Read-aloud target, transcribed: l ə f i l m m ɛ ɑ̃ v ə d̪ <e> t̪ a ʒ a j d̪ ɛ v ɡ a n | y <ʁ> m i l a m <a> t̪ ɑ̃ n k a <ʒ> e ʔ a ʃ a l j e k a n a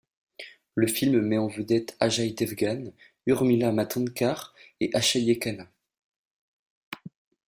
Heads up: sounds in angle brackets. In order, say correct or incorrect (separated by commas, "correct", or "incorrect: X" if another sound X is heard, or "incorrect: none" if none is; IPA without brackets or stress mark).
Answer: incorrect: ɛ, correct, correct, incorrect: ʁ